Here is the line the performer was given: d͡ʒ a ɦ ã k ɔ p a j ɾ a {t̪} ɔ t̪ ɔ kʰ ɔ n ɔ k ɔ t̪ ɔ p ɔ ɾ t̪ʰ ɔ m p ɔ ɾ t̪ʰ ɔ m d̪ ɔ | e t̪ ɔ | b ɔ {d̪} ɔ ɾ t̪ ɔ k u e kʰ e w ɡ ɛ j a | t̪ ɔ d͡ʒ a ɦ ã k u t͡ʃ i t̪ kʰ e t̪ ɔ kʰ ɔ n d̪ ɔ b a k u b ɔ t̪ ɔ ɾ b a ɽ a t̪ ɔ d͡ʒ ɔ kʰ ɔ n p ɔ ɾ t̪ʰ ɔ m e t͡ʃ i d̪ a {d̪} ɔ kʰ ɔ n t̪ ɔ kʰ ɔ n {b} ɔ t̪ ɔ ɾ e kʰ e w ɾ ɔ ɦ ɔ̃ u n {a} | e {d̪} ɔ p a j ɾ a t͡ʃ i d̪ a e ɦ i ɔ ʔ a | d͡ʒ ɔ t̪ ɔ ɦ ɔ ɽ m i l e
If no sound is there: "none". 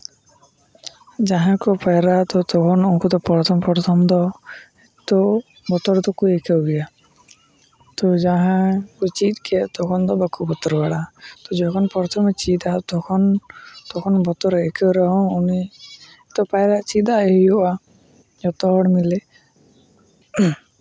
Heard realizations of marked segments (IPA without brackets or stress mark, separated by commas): t̪, t̪, t̪, b, i, t̪